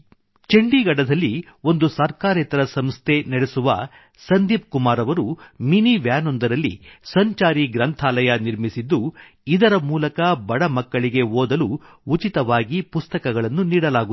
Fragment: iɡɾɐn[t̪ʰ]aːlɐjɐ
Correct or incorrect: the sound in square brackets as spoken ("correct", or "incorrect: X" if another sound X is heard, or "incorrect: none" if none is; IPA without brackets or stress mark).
correct